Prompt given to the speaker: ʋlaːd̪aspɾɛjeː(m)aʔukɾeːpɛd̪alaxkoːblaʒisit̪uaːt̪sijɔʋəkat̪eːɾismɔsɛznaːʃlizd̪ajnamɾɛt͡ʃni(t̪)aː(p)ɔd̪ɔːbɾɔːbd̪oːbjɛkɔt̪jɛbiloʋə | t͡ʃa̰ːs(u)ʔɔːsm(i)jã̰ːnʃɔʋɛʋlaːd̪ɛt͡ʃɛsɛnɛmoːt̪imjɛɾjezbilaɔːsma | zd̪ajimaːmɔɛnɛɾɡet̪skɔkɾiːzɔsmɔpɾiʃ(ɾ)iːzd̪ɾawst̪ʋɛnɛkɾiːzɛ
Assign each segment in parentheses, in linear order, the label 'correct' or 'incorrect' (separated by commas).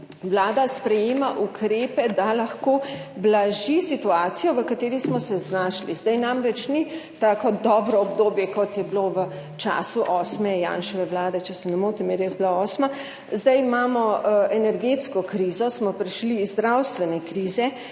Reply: correct, correct, incorrect, correct, incorrect, incorrect